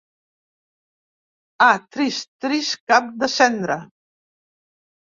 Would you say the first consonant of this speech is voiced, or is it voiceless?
voiceless